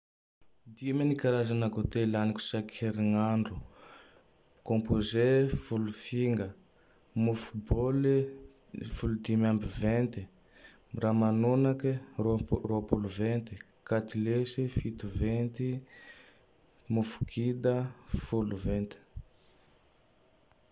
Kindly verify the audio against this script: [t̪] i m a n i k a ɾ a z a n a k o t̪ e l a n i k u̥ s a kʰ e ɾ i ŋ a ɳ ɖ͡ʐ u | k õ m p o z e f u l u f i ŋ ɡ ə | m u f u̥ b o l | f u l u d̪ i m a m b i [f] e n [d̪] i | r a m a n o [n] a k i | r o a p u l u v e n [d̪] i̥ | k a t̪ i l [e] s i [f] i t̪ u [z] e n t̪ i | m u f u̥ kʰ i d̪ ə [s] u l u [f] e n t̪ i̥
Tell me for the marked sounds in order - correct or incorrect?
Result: incorrect: d̪, incorrect: v, incorrect: t̪, correct, incorrect: t̪, correct, correct, incorrect: v, incorrect: f, incorrect: v

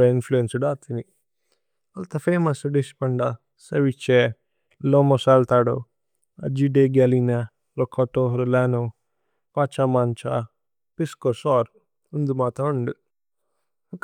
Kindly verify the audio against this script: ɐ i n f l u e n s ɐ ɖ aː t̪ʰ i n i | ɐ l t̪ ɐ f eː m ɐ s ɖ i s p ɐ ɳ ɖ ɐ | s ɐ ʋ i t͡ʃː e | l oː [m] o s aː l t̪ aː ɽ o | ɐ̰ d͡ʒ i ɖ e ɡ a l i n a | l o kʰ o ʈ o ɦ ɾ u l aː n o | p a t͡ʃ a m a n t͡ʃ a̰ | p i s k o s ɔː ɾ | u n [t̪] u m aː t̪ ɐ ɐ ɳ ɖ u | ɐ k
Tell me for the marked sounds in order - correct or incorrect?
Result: correct, incorrect: d̪

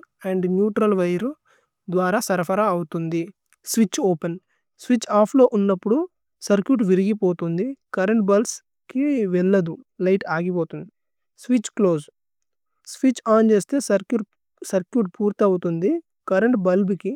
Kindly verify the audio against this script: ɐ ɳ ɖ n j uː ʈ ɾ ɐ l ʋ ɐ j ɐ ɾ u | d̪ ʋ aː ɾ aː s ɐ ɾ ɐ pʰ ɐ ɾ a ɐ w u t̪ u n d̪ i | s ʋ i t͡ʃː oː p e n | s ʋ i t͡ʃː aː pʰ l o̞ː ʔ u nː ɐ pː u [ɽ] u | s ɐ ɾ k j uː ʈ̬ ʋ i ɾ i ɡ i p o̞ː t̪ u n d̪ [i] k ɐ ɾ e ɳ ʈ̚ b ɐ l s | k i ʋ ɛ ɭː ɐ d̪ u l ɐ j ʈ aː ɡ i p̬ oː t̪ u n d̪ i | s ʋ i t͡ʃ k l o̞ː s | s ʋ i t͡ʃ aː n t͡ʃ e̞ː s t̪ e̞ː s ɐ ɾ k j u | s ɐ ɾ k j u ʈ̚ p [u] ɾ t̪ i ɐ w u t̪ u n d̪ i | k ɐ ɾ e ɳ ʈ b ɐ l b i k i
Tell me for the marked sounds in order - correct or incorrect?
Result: correct, correct, incorrect: uː

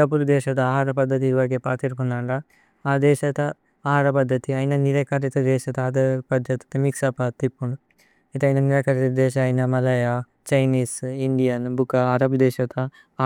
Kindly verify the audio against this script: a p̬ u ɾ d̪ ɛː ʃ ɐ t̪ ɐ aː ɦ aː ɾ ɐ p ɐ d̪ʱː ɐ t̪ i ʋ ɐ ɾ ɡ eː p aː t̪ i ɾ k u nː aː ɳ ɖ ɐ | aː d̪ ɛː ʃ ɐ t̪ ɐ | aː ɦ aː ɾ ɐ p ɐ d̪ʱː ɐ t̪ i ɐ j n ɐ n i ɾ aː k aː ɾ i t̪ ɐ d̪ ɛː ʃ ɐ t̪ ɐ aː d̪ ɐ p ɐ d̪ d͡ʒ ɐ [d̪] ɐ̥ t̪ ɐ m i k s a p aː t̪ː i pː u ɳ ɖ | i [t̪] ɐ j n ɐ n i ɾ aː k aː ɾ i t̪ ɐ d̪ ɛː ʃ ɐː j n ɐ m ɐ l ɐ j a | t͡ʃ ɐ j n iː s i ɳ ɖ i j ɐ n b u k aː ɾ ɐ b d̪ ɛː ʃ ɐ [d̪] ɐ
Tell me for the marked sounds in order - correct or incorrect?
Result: incorrect: t̪, correct, incorrect: t̪

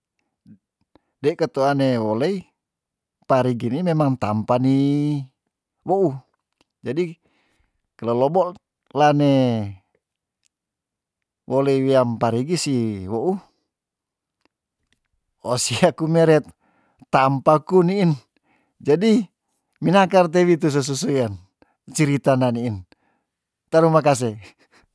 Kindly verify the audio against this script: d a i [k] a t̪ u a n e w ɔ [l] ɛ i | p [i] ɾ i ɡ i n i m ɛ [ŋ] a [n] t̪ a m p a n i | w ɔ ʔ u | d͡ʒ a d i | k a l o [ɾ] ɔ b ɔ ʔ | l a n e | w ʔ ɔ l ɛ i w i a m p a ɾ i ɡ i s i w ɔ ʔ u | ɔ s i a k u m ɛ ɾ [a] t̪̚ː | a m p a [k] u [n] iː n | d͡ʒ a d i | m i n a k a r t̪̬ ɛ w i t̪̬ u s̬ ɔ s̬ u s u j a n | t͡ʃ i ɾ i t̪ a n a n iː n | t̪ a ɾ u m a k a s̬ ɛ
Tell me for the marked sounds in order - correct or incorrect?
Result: correct, correct, incorrect: a, incorrect: m, incorrect: ŋ, incorrect: l, incorrect: ɛ, correct, correct

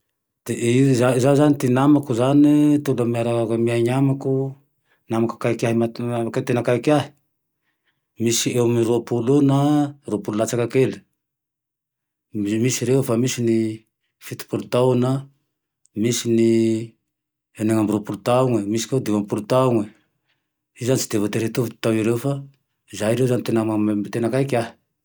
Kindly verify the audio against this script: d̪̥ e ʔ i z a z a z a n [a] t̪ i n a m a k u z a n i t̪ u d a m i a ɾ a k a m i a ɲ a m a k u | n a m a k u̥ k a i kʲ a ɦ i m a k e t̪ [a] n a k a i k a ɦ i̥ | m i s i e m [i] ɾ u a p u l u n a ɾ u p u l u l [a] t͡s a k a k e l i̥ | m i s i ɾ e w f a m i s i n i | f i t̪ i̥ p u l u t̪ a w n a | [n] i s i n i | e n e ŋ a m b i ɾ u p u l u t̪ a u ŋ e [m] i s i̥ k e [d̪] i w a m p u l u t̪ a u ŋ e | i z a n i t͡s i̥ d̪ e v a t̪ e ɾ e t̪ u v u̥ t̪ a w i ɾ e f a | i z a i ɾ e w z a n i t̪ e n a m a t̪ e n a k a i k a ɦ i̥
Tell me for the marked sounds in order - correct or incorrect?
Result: incorrect: i, incorrect: e, correct, correct, incorrect: m, correct, correct

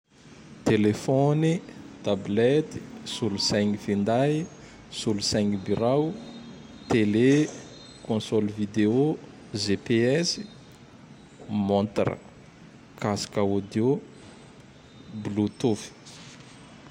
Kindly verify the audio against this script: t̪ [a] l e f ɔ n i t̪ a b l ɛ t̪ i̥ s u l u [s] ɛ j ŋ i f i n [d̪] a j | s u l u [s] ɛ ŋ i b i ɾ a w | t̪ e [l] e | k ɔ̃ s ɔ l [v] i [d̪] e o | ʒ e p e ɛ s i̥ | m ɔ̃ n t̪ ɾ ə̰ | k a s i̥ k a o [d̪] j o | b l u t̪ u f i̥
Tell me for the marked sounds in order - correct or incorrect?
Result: incorrect: e, correct, correct, correct, correct, correct, correct, correct

